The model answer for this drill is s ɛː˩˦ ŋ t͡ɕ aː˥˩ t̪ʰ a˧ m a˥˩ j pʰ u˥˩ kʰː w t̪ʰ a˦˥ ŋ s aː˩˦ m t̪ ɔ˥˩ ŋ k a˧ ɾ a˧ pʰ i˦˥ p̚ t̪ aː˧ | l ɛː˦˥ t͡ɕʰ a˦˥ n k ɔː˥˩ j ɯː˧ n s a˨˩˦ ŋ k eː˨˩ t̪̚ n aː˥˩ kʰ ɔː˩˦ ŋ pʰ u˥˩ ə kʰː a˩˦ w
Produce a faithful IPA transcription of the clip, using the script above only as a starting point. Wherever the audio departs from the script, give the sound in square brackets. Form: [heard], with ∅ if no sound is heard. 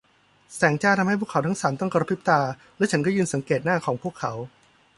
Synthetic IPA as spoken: s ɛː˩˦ ŋ t͡ɕ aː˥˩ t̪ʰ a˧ m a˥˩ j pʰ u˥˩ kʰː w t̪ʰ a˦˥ ŋ s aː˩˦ m t̪ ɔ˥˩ ŋ k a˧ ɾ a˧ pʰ i˦˥ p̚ t̪ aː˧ | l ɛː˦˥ t͡ɕʰ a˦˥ n k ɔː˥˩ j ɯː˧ n s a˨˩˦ ŋ k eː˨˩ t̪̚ n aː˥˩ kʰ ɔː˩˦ ŋ pʰ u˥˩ ə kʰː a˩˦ w